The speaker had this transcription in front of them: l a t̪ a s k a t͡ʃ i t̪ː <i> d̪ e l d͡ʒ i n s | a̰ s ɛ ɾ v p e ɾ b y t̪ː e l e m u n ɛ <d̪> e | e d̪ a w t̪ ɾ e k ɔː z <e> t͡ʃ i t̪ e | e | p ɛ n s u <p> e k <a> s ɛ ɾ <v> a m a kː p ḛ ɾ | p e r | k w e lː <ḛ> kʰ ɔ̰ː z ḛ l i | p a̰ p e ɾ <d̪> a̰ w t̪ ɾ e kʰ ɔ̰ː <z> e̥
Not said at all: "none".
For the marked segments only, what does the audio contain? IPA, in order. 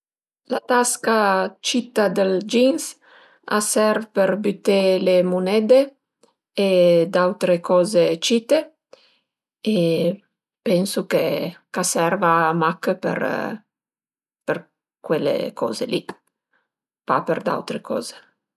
a, d̪, e, k, a, v, ḛ, d̪, z

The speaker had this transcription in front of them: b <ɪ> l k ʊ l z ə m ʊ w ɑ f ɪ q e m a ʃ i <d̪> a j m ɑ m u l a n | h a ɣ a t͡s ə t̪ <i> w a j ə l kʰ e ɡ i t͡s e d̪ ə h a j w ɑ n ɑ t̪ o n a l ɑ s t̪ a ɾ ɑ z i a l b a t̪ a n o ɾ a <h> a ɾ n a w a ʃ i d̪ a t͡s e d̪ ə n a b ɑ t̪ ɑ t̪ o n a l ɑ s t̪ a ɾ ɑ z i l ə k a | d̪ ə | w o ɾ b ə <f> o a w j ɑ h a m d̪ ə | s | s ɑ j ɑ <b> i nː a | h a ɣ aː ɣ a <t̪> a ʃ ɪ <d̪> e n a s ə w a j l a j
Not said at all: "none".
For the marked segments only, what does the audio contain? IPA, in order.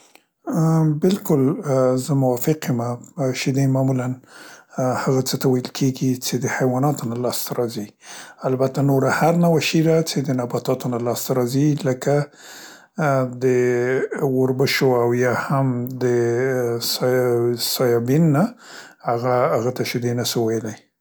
ɪ, d̪, a, h, ʃ, b, t̪, d̪

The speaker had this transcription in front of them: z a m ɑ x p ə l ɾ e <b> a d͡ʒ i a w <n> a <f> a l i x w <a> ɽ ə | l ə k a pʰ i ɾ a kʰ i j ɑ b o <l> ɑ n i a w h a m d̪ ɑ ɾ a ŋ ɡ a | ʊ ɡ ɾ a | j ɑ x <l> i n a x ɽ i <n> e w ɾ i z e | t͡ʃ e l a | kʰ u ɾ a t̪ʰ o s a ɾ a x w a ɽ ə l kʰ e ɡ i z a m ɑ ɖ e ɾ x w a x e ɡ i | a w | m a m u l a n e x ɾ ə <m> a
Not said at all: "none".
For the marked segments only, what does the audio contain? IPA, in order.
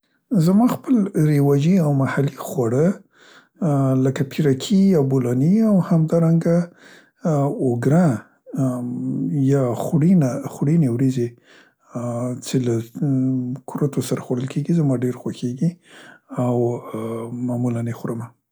w, m, h, a, l, ɽ, n, m

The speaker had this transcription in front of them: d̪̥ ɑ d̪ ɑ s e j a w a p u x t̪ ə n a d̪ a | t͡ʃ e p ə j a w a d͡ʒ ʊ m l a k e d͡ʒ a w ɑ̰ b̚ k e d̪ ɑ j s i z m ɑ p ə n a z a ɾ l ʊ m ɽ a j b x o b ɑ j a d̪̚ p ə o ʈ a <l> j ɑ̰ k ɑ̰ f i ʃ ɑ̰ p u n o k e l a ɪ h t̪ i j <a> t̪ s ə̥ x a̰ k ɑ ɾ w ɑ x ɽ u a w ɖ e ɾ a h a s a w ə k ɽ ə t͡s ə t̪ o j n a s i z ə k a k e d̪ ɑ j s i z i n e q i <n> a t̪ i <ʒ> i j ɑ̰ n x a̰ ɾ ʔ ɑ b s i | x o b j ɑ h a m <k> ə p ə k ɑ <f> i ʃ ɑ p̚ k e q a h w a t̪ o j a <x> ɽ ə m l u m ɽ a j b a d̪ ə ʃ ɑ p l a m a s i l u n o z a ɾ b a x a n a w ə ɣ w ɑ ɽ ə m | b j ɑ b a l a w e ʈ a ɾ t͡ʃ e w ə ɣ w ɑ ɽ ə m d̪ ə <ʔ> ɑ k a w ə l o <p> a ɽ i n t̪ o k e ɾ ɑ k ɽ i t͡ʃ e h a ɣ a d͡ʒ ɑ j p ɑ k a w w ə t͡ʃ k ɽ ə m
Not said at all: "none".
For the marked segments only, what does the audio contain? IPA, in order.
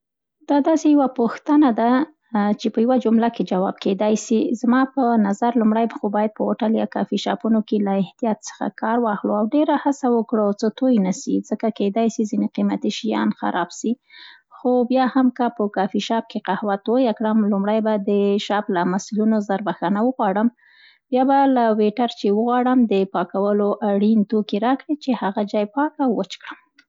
l, ɑ, m, ʃ, k, f, k, p, ʔ

